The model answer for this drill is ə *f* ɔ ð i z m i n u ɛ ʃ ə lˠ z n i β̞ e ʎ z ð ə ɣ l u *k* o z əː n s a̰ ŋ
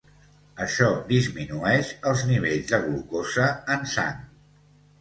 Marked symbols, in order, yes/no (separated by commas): no, yes